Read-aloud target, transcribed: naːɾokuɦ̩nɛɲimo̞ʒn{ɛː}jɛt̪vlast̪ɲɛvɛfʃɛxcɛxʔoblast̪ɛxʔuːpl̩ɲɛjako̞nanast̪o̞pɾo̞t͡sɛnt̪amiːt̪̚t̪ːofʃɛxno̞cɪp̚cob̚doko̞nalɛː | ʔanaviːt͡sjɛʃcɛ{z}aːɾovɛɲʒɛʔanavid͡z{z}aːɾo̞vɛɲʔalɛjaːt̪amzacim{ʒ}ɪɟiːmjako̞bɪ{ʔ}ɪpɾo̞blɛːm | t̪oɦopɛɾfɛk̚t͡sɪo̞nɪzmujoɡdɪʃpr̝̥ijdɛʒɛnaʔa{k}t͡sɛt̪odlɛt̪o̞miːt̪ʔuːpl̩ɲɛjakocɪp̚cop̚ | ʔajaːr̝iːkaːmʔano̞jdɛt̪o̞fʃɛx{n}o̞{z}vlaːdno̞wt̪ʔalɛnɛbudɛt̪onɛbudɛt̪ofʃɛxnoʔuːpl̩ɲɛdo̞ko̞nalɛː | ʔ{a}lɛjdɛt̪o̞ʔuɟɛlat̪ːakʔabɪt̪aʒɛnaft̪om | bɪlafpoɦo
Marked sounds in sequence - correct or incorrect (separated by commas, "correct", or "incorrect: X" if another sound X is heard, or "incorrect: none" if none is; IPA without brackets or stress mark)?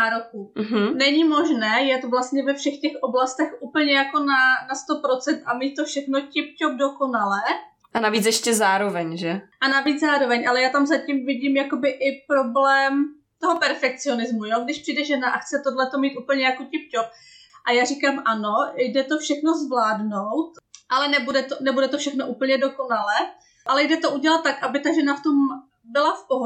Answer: correct, correct, correct, incorrect: v, correct, incorrect: x, correct, correct, correct